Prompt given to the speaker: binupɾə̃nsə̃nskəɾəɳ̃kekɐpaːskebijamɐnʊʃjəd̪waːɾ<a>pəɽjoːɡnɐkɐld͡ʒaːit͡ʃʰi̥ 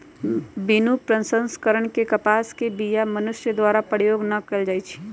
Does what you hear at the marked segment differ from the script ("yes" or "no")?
no